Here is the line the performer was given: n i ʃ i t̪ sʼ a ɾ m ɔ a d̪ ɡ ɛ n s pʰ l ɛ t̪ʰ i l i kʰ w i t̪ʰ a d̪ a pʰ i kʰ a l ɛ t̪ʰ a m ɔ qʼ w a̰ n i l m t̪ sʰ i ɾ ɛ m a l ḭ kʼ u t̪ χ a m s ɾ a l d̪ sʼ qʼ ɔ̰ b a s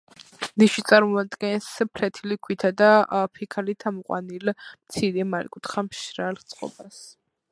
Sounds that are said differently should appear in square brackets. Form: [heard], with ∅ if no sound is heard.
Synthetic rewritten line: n i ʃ i t̪ sʼ a ɾ m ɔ a d̪ ɡ ɛ n s pʰ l ɛ t̪ʰ i l i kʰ w i t̪ʰ a d̪ a pʰ i kʰ a l [i] t̪ʰ a m ɔ qʼ w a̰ n i l m t̪ sʰ i ɾ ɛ m a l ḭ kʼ u t̪ χ a m [ʃ] ɾ a l [t̪] sʼ qʼ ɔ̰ b a s